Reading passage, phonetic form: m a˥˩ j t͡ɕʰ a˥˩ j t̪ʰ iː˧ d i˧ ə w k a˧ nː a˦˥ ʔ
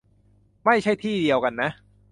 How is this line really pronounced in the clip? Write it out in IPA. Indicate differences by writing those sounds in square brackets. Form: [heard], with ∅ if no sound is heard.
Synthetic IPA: m a˥˩ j t͡ɕʰ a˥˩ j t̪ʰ [iː˥˩] d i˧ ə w k a˧ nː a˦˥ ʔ